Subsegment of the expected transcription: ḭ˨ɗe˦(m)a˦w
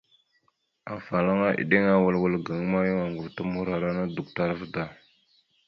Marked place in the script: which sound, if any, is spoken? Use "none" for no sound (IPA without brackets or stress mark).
ŋ